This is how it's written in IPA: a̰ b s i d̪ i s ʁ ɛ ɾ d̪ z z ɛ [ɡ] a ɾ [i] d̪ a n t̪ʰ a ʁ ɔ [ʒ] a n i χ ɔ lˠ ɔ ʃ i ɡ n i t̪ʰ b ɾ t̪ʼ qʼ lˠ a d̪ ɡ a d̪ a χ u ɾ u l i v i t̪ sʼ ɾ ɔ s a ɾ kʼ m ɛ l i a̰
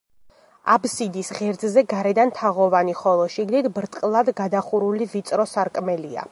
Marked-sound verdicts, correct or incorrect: correct, incorrect, incorrect

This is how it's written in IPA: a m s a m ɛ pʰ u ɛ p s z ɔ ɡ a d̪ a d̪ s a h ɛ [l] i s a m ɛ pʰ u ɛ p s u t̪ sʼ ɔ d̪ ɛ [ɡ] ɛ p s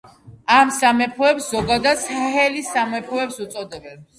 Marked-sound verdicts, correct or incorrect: correct, incorrect

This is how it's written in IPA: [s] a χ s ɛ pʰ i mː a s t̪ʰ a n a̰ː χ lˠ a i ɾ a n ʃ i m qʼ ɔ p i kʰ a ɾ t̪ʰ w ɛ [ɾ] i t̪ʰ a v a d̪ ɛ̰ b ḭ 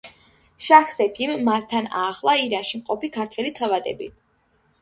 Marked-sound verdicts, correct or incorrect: incorrect, incorrect

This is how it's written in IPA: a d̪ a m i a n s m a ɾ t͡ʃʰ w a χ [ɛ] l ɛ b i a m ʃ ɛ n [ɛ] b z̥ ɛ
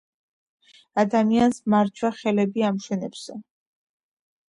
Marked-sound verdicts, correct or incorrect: correct, correct

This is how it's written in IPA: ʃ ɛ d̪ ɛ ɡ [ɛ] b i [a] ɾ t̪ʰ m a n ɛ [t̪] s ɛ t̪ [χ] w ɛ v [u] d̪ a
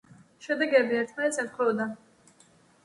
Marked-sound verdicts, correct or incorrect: correct, incorrect, correct, correct, incorrect

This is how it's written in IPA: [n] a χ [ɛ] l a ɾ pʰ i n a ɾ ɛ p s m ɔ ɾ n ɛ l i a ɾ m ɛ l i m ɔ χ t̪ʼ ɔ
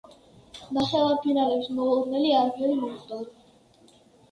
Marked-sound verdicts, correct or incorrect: correct, correct

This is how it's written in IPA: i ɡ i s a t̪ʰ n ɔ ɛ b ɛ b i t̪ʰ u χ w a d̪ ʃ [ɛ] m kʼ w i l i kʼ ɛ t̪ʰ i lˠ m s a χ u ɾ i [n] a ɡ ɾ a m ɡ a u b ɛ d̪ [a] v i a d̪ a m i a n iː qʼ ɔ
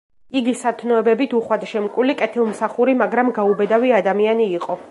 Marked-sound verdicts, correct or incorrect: correct, incorrect, correct

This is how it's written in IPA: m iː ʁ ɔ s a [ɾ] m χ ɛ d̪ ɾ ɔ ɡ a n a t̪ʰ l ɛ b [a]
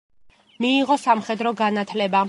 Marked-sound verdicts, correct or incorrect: incorrect, correct

